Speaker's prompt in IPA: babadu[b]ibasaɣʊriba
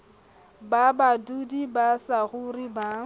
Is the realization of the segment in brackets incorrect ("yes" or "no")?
yes